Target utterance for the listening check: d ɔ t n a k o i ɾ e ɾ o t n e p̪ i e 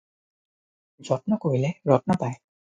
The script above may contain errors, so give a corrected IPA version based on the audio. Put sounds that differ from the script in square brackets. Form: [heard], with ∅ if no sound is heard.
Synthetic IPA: [d͡ʑ] ɔ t n a k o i [l] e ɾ [ɔ] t n [a] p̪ [a] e